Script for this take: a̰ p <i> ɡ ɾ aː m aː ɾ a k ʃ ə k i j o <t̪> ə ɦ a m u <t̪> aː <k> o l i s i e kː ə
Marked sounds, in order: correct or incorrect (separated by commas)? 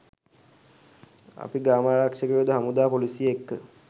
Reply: correct, incorrect, incorrect, incorrect